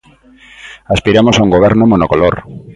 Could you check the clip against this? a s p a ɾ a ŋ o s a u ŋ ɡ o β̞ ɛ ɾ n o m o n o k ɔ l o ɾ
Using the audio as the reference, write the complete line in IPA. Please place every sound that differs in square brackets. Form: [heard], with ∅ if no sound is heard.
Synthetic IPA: a s p [i] ɾ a [m] o s a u ŋ ɡ o β̞ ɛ ɾ n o m o n o k [o] l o ɾ